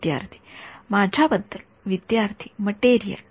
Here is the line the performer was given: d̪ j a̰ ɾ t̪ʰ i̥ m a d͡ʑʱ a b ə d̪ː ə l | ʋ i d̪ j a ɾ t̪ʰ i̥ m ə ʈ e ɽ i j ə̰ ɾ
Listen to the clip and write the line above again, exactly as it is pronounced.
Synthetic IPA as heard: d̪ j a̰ ɾ t̪ʰ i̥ m a d͡ʑʱ a b ə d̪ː ə l | ʋ i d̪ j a ɾ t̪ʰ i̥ m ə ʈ e ɾ i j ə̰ l